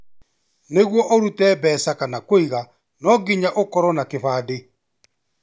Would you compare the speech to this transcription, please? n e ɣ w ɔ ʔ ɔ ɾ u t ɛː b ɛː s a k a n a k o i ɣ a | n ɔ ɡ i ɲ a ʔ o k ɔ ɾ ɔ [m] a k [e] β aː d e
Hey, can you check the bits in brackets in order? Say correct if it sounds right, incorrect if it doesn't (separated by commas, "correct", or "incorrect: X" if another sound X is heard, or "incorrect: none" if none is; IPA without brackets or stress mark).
incorrect: n, correct